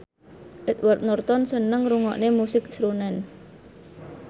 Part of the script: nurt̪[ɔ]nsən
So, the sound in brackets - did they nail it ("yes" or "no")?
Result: yes